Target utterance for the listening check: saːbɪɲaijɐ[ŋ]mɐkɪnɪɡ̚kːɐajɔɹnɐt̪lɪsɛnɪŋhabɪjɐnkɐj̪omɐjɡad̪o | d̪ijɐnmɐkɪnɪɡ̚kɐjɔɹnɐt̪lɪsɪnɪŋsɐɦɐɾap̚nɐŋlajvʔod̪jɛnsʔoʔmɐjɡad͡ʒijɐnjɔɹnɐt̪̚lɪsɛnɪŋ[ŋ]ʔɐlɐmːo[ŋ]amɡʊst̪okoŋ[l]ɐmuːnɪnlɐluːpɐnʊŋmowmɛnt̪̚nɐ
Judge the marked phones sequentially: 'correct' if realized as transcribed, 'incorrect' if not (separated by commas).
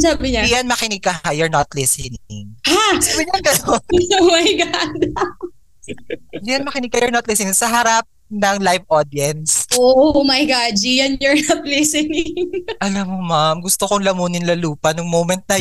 incorrect, correct, incorrect, correct